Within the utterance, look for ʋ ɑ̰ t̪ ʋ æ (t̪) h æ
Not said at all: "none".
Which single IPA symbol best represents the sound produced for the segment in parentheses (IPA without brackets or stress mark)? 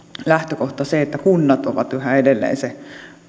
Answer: none